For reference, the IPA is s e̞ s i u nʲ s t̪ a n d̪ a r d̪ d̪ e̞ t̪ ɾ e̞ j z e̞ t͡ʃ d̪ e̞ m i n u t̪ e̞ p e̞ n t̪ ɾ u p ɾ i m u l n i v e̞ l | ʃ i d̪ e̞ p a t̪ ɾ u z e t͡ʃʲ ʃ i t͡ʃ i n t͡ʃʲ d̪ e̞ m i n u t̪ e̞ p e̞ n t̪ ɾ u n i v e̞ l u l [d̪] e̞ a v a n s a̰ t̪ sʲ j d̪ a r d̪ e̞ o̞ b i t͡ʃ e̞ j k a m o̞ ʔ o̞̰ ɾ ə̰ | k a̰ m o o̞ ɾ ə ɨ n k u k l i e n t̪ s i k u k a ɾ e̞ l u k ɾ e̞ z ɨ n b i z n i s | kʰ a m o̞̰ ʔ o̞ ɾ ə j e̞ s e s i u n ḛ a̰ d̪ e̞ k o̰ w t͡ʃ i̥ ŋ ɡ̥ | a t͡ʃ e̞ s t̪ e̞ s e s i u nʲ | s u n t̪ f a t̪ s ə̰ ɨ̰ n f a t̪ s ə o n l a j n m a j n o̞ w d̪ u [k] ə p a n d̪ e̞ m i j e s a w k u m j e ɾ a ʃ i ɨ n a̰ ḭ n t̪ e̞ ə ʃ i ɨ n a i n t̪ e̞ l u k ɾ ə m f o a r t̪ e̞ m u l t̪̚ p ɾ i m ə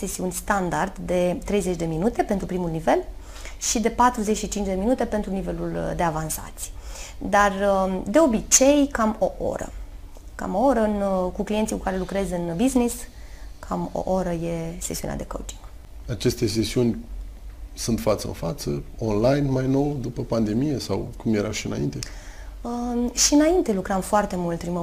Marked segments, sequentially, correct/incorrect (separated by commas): correct, incorrect